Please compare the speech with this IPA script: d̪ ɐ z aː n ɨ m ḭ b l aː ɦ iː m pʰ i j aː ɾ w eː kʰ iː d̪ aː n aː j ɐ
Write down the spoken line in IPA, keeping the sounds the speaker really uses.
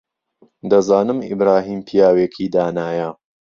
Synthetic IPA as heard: d̪ ɐ z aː n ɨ m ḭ b ɾ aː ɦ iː m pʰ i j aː w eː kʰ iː d̪ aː n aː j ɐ